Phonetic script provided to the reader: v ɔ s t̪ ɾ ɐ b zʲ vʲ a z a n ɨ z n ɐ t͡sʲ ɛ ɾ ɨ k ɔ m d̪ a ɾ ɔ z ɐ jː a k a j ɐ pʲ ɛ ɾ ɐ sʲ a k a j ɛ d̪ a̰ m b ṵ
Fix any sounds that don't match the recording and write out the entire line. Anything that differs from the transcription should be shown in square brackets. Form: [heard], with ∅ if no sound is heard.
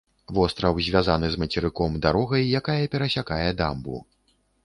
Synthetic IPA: v ɔ s t̪ ɾ ɐ [w] zʲ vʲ a z a n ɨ z [m] ɐ t͡sʲ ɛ ɾ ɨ k ɔ m d̪ a ɾ ɔ [ɣ] ɐ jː a k a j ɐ pʲ ɛ ɾ ɐ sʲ a k a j ɛ d̪ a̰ m b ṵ